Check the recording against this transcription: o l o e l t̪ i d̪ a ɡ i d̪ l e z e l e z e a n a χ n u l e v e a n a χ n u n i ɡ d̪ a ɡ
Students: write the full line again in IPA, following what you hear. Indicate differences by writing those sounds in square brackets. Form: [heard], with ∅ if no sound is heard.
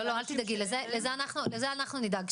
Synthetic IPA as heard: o l o [a] l t̪ i d̪ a ɡ i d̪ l e z e l e z e a n a χ n u l e [z] e a n a χ n u n i [∅] d̪ a ɡ